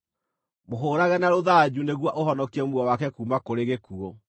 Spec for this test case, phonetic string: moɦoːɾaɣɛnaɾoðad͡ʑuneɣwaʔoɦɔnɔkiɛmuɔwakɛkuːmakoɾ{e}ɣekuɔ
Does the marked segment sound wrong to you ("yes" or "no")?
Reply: no